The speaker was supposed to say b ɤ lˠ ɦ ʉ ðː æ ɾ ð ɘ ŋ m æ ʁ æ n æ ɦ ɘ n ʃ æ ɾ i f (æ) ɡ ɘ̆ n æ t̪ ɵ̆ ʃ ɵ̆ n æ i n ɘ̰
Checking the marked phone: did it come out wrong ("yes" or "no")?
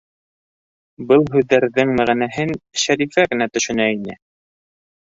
no